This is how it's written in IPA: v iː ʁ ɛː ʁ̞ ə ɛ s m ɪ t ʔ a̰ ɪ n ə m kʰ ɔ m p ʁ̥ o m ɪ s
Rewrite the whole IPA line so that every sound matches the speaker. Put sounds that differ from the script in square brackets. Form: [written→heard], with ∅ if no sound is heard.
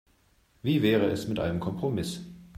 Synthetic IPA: v iː [ʁ→v] ɛː ʁ̞ ə ɛ s m ɪ t ʔ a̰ ɪ n ə m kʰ ɔ m p ʁ̥ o m ɪ s

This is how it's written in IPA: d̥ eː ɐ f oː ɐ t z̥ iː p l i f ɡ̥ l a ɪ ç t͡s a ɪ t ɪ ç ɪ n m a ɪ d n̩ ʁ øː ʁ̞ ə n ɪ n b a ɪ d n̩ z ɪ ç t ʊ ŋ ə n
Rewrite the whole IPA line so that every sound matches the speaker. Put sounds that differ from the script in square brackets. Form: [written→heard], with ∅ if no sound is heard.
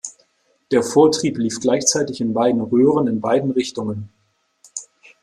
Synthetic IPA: d̥ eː ɐ f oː ɐ t [z̥→ʁ̥] iː p l [i→iː] f ɡ̥ l a ɪ ç t͡s a ɪ t ɪ ç ɪ n [m→b] a ɪ d n̩ ʁ øː ʁ̞ ə n ɪ n b a ɪ d n̩ [z→ʁ] ɪ ç t ʊ ŋ ə n

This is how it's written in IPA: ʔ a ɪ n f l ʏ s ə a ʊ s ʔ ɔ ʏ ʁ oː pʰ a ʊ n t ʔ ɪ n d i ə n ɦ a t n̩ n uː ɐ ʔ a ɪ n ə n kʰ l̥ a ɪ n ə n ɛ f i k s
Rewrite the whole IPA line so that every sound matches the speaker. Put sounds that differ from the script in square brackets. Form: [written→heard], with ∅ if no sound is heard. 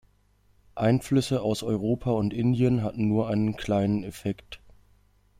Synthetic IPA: ʔ a ɪ n f l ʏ s ə a ʊ s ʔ ɔ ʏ ʁ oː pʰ a ʊ n t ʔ ɪ n d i ə n ɦ a t n̩ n uː ɐ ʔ a ɪ n ə n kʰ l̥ a ɪ n ə n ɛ f [i→ɛ] k [s→t]

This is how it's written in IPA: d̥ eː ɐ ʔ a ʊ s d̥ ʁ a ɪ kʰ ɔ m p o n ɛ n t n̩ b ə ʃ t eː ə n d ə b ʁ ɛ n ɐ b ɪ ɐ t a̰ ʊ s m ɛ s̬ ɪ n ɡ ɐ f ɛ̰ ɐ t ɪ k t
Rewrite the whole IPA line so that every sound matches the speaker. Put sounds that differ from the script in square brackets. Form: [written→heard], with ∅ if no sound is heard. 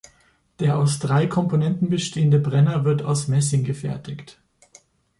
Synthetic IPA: d̥ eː ɐ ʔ a ʊ s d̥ ʁ a ɪ kʰ ɔ m p o n ɛ n t n̩ b ə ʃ t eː ə n d ə b ʁ ɛ n ɐ [b→v] ɪ ɐ t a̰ ʊ s m ɛ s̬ ɪ [n→ŋ] ɡ [ɐ→ə] f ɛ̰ ɐ t ɪ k t

